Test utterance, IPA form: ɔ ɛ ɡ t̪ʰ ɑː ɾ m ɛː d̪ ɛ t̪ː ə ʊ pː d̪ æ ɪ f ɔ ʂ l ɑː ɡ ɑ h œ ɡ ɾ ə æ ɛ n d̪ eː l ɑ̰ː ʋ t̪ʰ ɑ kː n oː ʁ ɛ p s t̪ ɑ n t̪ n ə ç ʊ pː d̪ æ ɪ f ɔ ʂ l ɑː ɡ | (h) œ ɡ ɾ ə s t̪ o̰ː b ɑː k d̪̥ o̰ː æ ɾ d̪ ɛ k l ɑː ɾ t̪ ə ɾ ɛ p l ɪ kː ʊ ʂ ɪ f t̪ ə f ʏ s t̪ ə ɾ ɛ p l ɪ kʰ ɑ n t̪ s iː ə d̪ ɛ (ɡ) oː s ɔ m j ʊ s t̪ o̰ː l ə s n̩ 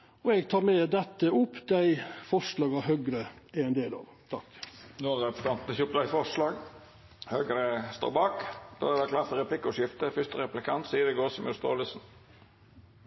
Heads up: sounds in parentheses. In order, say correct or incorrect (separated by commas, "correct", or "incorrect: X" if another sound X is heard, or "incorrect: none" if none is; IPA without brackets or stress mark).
correct, correct